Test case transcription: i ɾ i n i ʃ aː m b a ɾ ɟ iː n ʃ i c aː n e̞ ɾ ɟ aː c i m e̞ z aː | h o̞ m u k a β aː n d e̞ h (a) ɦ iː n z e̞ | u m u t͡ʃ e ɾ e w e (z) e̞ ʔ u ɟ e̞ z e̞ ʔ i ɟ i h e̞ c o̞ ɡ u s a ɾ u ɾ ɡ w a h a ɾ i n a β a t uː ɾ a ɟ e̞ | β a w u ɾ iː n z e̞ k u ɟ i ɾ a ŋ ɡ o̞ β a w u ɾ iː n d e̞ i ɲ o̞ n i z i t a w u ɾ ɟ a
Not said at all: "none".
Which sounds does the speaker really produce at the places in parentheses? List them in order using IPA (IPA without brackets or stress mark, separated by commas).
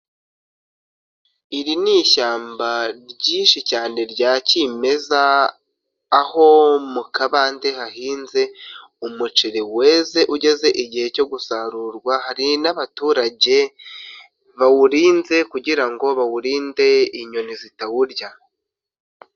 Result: a, z